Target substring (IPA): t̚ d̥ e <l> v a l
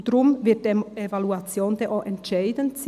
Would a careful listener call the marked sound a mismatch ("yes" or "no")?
yes